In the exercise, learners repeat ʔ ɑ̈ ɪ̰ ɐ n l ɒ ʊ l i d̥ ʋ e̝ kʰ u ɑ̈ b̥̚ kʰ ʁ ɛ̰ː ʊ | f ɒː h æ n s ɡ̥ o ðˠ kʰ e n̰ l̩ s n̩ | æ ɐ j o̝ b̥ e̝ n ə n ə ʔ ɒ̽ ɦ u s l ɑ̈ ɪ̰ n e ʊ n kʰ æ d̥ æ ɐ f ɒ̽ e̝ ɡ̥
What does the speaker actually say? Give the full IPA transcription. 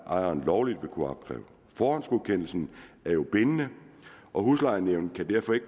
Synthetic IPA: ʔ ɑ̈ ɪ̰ ɐ n l ɒ ʊ l i d̥ ʋ e̝ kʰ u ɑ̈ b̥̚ kʰ ʁ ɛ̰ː ʊ | f ɒː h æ n s ɡ̥ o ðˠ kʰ e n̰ l̩ s n̩ | æ ɐ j o̝ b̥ e̝ n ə n ə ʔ ɒ̽ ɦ u s l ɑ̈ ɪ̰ n e ʊ n kʰ æ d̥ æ ɐ f ɒ̽ e̝ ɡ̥